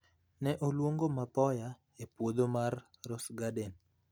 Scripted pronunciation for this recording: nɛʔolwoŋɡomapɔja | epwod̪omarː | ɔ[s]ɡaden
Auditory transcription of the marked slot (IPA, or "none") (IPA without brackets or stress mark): s